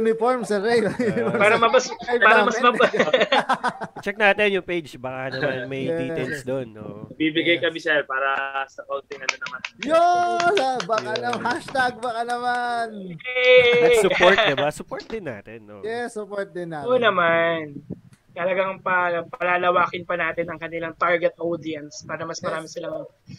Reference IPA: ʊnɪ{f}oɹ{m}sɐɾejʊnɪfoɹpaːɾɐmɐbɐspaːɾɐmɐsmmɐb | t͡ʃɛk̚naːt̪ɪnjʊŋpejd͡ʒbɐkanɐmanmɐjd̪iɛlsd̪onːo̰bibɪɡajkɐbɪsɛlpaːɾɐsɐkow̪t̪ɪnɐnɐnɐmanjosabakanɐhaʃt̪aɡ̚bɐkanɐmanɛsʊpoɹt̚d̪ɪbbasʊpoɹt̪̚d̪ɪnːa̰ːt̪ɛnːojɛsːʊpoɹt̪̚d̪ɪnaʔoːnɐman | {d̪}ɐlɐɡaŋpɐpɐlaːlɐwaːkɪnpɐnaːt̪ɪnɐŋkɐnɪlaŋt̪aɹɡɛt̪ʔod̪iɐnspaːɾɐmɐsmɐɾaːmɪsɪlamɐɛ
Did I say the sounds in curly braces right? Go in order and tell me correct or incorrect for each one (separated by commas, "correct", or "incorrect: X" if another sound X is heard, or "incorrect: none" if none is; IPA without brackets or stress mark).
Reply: correct, correct, incorrect: t̪